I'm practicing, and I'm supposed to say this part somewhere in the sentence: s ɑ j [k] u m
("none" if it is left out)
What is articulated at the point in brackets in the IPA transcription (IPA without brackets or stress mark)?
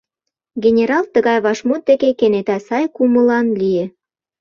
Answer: k